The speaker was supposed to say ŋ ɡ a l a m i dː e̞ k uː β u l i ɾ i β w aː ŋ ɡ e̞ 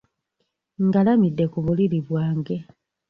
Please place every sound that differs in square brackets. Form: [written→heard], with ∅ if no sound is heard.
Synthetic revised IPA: ŋ ɡ a l a m i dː e̞ k [uː→u] β u l i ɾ i β w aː ŋ ɡ e̞

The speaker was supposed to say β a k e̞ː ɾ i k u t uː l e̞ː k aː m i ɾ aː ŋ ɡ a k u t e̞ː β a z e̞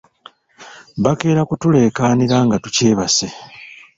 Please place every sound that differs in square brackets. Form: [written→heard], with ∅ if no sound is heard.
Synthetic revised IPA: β a k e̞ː ɾ [i→a] k u t [uː→u] l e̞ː k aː [m→n] i ɾ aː ŋ ɡ a [k→t] u [t→c] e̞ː β a [z→s] e̞

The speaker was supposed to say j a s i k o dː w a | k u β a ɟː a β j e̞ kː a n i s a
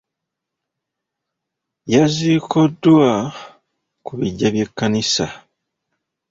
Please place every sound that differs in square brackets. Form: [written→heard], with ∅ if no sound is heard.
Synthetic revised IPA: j a [s→z] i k o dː w a | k u β [a→i] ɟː a β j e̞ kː a n i s a

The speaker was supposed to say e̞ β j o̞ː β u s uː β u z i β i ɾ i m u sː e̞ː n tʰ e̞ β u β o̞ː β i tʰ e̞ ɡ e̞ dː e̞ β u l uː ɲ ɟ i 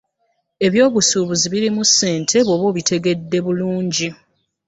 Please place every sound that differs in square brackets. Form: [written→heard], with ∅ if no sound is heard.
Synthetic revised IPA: e̞ β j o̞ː β u s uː β u z i β i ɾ i m u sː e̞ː n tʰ e̞ β [u→o] β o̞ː β i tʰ e̞ ɡ e̞ dː e̞ β u l uː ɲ ɟ i

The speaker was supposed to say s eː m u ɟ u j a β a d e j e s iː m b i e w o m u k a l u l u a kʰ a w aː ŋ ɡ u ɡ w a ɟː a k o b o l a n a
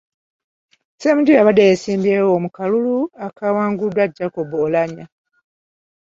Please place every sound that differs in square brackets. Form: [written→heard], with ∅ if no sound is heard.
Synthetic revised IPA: s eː m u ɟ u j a β a d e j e s iː m b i e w o m u k a l u l u a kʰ a w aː ŋ ɡ u [ɡ→d] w a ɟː a k o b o l a [n→ɲ] a

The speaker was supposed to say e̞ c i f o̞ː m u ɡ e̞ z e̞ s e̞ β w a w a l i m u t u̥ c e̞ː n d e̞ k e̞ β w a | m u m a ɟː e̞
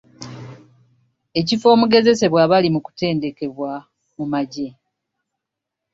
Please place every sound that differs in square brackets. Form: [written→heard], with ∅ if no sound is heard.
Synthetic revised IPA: e̞ c i f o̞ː m u ɡ e̞ z e̞ s e̞ β w a [w→β] a l i m u [t→k] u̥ [c→t] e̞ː n d e̞ k e̞ β w a | m u m a [ɟː→ɟ] e̞

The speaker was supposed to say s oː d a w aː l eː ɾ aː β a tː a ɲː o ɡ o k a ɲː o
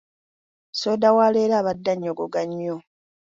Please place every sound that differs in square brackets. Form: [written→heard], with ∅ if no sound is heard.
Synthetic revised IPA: s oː d a w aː l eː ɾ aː β a [tː→dː] a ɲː o ɡ o [k→ɡ] a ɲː o

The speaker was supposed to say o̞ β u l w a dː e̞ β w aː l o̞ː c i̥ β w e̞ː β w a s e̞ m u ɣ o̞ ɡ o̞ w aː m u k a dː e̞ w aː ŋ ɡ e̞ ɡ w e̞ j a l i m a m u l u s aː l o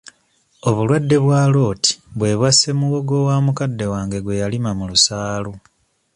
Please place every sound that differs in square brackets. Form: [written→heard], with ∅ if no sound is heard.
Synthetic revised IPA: o̞ β u l w a dː e̞ β w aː l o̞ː [c→t] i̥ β w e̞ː β w a s e̞ m u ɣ o̞ ɡ o̞ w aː m u k a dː e̞ w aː ŋ ɡ e̞ ɡ w e̞ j a l i m a m u l u s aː l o

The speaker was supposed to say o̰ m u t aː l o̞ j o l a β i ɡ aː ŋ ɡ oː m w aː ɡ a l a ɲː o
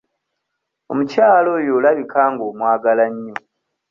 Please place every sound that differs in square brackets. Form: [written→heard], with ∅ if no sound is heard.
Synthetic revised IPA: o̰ m u [t→c] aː l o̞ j o l a β i [ɡ→k] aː ŋ ɡ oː m w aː ɡ a l a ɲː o

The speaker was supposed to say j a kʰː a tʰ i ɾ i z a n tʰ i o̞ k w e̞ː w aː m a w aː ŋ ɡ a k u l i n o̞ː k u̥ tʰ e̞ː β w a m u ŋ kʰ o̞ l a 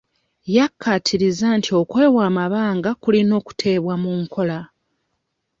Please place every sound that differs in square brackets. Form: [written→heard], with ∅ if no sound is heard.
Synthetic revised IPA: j a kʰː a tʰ i ɾ i z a n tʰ i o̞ k w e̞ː w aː m a [w→β] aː ŋ ɡ a k u l i n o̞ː k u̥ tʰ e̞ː β w a m u ŋ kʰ o̞ l a

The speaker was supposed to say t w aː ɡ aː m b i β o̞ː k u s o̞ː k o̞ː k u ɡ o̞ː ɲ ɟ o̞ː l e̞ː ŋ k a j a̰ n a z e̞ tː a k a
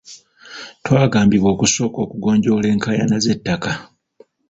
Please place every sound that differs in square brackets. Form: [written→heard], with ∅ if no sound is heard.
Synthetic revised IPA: t w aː ɡ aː m b i β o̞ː k u s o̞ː k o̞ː k u ɡ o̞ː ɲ ɟ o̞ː l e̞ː ŋ k a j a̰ n a z e̞ tː a k a

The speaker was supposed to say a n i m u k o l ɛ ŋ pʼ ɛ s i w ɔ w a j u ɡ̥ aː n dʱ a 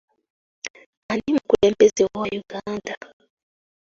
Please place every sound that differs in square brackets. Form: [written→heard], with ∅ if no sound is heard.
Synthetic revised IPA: a n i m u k [o→u] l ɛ [ŋ→m] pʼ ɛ [s→z] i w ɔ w a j u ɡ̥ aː n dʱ a

